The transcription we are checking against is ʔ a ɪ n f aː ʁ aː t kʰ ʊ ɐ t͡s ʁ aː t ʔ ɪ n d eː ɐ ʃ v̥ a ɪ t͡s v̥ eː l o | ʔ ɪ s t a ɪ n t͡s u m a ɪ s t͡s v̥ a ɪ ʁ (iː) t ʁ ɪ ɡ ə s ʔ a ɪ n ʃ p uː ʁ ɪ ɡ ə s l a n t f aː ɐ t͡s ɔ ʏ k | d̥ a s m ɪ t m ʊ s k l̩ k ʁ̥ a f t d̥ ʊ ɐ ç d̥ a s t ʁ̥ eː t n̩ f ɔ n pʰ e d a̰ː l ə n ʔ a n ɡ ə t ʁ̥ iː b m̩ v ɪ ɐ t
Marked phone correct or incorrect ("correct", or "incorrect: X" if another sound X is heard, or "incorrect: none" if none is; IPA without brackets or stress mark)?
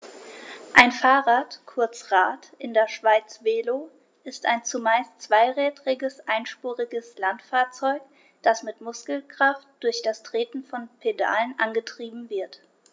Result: incorrect: ɛː